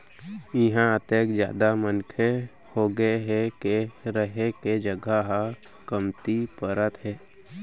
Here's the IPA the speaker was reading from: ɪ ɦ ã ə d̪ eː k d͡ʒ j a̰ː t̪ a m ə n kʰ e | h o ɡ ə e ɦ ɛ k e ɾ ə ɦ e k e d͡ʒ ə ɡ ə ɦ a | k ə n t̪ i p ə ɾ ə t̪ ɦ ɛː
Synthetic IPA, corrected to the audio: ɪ ɦ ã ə t̪ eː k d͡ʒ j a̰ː d̪ a m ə n kʰ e | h o ɡ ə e ɦ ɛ k e ɾ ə ɦ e k e d͡ʒ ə ɡ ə ɦ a | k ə m t̪ i p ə ɾ ə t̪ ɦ ɛː